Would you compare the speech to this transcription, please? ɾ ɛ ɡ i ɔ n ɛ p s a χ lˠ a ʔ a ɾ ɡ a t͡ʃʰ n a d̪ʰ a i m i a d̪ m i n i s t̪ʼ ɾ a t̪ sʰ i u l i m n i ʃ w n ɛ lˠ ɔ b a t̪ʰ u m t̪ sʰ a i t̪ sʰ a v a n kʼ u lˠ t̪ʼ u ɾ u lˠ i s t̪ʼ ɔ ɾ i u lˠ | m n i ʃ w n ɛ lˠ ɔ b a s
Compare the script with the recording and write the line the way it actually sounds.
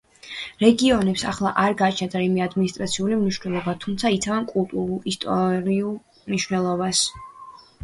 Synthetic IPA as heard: ɾ ɛ ɡ i ɔ n ɛ p s a χ lˠ a ʔ a ɾ ɡ a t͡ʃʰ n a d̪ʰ a i m i a d̪ m i n i s t̪ʼ ɾ a t̪ sʰ i u l i m n i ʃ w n ɛ lˠ ɔ b a t̪ʰ u m t̪ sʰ a i t̪ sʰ a v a n kʼ u lˠ t̪ʼ u ɾ u lˠ i s t̪ʼ ɔ ɾ i u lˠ | m n i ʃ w n ɛ lˠ ɔ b a s